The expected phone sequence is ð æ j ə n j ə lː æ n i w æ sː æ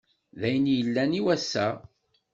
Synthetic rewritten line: ð æ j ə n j ə lː æ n i w æ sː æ

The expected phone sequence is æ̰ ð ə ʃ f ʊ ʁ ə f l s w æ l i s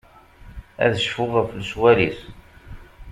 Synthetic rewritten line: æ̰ ð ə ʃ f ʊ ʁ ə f l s w æ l i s

